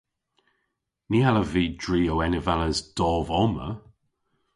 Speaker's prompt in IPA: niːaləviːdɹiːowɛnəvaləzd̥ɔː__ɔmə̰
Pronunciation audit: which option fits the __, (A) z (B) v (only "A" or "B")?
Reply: B